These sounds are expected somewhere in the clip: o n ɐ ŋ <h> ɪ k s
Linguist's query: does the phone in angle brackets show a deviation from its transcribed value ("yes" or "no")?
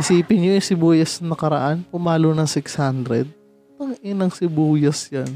yes